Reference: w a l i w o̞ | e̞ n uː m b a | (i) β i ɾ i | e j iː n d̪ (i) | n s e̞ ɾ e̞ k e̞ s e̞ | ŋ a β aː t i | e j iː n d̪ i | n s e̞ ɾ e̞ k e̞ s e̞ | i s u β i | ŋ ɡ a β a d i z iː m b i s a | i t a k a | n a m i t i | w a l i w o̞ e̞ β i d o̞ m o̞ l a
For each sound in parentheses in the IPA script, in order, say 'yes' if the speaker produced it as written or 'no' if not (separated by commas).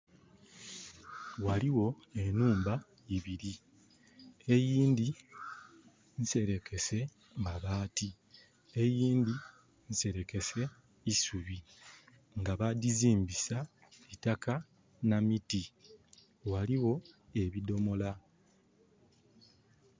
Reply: yes, yes